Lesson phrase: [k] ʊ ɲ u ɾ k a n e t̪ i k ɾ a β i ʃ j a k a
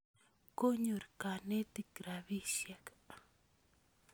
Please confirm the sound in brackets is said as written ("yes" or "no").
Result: yes